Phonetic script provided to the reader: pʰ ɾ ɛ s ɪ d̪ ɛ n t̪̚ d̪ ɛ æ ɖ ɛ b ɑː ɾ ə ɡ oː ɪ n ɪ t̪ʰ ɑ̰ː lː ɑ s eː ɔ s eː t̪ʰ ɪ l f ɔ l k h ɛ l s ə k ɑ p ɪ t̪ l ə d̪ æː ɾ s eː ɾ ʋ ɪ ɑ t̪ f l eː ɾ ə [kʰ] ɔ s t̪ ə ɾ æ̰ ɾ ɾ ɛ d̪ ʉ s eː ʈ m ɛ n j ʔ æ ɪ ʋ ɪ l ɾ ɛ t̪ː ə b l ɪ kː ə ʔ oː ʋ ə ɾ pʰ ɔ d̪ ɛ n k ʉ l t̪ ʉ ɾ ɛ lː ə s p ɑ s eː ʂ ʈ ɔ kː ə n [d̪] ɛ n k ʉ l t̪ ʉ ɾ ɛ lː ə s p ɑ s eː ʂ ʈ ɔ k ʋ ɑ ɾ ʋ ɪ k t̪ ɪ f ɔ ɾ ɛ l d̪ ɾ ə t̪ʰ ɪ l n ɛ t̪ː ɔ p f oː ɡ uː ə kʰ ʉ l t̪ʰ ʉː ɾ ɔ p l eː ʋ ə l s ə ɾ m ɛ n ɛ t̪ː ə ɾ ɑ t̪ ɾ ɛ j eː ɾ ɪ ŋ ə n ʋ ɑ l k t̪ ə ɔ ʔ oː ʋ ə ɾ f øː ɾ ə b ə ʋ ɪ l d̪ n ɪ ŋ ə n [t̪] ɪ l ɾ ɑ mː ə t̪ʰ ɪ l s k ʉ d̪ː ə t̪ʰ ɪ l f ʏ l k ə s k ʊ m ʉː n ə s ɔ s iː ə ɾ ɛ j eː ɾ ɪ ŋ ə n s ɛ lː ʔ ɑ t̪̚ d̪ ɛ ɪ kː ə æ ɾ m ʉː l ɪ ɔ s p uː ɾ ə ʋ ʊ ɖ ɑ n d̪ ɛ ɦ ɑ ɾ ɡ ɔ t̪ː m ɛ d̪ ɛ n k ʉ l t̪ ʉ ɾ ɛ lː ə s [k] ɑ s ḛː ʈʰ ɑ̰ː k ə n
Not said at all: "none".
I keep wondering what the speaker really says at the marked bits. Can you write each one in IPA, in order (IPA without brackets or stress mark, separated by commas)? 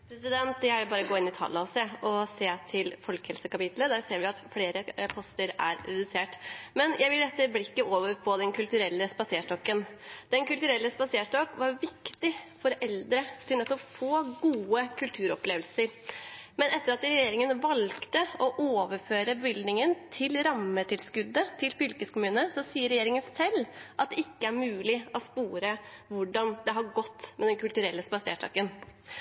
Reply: pʰ, d̪, t̪ʰ, p